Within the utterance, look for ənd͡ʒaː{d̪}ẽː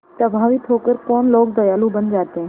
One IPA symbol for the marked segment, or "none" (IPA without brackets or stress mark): t̪